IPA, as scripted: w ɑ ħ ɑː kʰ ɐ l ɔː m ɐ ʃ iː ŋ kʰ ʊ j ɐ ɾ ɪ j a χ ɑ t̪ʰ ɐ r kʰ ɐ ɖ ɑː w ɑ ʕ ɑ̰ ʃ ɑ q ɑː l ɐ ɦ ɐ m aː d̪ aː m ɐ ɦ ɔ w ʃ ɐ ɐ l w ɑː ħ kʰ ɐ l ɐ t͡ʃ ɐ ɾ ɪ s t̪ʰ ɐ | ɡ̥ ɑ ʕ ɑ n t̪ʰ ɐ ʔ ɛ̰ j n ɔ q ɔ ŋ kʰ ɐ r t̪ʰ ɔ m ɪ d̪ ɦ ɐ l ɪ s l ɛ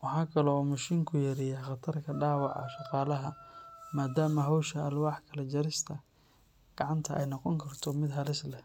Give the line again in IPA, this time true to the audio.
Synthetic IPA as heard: w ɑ ħ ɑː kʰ ɐ l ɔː m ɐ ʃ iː ŋ kʰ ʊ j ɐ ɾ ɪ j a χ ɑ t̪ʰ ɐ r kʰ ɐ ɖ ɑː w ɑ ʕ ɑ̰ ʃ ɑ q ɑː l ɐ ɦ ɐ m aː d̪ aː m ɐ ɦ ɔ w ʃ ɐ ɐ l w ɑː ħ kʰ ɐ l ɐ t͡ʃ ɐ ɾ ɪ s t̪ʰ ɐ | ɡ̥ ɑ ʕ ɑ n t̪ʰ ɐ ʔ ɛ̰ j n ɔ q ɔ ŋ kʰ ɐ r t̪ʰ ɔ m ɪ d̪ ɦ ɐ l ɪ s l ɛ